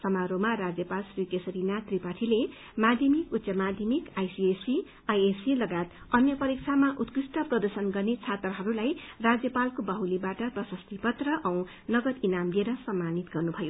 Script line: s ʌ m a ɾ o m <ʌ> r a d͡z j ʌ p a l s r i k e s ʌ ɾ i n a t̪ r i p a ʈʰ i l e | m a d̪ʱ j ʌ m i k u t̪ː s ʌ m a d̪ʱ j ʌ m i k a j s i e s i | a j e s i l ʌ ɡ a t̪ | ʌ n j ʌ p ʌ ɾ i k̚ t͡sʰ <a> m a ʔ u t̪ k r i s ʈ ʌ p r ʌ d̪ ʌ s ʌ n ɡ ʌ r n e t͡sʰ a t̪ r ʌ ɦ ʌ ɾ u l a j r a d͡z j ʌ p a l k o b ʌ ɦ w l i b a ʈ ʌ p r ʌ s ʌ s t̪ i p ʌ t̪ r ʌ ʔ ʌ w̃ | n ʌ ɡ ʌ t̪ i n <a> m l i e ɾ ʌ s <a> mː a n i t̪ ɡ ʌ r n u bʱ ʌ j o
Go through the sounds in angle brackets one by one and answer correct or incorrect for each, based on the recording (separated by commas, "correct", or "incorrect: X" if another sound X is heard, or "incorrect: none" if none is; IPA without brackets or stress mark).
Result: incorrect: a, correct, correct, incorrect: ʌ